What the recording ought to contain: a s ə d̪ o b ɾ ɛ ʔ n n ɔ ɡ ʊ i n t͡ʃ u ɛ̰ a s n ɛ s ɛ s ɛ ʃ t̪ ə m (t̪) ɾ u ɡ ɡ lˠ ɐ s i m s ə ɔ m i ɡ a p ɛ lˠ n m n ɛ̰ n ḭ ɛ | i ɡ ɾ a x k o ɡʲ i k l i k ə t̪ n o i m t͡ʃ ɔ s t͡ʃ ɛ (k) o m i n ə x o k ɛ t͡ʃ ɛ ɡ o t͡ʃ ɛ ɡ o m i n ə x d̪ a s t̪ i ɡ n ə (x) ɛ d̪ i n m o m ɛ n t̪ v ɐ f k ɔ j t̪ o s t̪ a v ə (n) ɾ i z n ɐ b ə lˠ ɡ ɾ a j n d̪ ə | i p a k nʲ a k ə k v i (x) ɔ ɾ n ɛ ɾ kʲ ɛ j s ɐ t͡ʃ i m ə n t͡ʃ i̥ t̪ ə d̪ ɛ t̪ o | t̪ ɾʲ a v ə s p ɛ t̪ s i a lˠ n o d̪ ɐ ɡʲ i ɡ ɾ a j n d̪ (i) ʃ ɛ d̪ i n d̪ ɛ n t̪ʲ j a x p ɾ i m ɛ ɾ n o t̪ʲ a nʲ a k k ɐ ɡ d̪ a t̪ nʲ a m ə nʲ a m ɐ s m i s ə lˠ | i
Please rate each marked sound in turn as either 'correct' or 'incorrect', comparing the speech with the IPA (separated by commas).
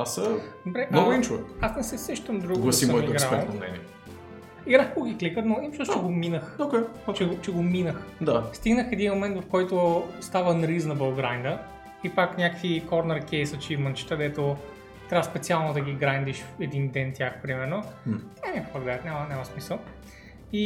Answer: incorrect, incorrect, correct, correct, incorrect, correct